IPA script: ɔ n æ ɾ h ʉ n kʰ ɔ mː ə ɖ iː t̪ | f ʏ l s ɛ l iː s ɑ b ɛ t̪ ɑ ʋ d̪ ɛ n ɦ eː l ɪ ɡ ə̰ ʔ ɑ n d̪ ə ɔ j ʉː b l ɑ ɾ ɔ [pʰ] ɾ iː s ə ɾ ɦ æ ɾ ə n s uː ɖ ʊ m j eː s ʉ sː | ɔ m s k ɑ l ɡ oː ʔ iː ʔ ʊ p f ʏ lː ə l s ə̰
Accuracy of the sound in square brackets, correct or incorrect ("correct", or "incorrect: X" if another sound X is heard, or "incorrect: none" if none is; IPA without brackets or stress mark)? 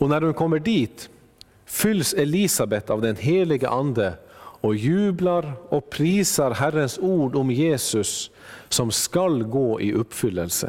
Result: correct